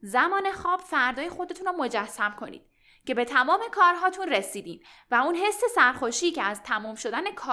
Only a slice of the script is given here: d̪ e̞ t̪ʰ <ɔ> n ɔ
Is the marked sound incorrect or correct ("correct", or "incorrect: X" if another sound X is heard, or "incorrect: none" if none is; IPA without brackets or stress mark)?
incorrect: u